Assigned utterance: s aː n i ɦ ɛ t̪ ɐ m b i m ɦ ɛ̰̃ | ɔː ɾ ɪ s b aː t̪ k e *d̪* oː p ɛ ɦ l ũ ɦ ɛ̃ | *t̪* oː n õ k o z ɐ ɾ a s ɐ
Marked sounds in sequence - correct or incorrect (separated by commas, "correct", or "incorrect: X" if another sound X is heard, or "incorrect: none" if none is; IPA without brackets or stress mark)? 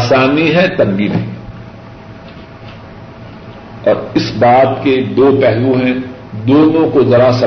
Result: correct, incorrect: d̪